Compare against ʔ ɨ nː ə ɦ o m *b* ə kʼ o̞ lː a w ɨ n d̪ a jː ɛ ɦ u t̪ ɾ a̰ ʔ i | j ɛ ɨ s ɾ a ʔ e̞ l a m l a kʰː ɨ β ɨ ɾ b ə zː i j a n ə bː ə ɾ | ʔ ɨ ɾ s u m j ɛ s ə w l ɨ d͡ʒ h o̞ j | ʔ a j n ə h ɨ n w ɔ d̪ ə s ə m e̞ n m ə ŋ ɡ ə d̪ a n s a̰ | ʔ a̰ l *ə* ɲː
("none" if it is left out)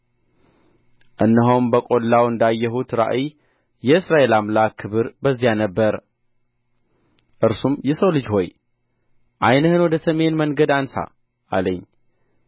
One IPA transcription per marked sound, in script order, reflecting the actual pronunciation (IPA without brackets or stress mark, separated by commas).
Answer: b, ə